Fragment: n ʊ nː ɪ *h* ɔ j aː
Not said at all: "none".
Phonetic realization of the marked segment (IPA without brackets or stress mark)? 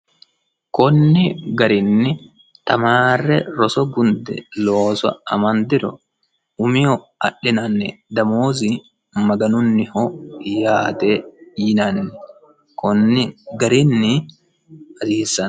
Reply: h